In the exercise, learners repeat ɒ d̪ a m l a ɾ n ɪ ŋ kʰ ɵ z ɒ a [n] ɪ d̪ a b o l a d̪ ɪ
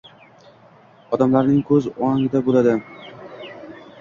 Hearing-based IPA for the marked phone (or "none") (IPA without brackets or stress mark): ŋ